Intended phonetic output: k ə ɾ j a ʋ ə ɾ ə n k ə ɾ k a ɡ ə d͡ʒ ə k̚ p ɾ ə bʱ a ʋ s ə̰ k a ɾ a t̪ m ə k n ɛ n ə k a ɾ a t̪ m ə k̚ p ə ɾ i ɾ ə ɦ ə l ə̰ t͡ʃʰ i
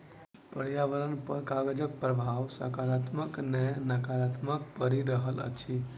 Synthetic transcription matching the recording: p ə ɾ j a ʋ ə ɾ ə n p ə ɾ k a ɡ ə d͡ʒ ə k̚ p ɾ ə bʱ a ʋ s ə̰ k a ɾ a t̪ m ə k n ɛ n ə k a ɾ a t̪ m ə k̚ p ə ɾ i ɾ ə ɦ ə l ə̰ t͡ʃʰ i